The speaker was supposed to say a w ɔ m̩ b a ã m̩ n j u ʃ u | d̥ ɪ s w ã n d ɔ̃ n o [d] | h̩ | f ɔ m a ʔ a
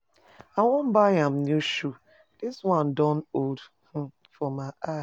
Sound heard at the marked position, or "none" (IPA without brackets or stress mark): d